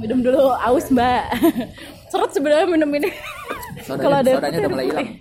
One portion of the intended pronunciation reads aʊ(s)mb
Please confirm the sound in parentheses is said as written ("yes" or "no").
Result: yes